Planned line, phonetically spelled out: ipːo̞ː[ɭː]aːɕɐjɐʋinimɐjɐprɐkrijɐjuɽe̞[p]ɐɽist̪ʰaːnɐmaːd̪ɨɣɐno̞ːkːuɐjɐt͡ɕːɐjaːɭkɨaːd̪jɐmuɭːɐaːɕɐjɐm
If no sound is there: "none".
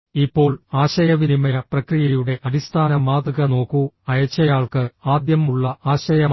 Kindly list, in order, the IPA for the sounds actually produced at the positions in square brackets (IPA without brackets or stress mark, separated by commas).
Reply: ɭ, ʔ